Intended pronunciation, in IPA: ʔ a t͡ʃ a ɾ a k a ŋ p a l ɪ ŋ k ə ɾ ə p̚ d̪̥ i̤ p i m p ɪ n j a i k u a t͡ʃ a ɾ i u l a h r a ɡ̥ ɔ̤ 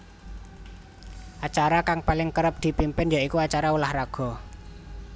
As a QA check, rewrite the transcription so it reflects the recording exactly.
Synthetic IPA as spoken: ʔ a t͡ʃ a ɾ a k a ŋ p a l ɪ ŋ k ə ɾ ə p̚ d̪̥ i̤ p i m p ɪ n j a i k u a t͡ʃ a ɾ a u l a h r a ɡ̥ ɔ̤